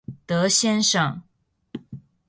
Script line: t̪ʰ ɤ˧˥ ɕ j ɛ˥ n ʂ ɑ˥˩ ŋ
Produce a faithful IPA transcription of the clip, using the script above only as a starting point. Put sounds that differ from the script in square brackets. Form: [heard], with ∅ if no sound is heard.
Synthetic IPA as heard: [t̪] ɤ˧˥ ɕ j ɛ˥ n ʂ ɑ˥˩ ŋ